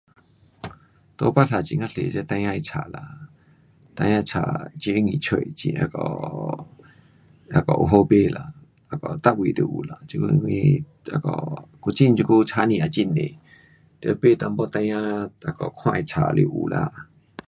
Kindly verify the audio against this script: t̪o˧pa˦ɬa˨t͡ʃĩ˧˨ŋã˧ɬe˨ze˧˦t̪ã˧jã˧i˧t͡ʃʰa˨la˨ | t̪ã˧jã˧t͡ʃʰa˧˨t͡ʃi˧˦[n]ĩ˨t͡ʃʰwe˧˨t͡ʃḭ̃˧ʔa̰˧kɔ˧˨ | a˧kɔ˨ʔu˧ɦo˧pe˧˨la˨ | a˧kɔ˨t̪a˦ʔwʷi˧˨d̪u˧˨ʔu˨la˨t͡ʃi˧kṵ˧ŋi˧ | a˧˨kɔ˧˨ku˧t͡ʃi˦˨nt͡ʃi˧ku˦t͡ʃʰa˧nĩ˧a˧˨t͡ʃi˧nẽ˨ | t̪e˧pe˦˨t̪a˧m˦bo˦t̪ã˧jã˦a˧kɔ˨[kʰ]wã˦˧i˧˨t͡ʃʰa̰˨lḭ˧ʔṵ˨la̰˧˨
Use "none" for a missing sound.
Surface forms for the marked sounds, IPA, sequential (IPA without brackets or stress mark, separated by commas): ŋ, kʰ